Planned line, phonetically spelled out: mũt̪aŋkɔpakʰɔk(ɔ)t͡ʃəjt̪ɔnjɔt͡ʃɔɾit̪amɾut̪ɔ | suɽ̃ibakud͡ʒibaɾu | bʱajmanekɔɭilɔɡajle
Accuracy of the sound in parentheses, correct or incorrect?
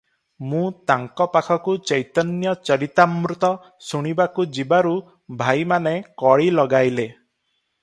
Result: incorrect